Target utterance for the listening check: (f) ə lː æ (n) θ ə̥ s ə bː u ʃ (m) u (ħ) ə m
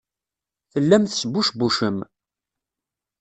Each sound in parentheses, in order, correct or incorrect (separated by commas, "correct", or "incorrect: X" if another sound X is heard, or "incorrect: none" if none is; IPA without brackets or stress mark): incorrect: θ, incorrect: m, incorrect: b, incorrect: ʃ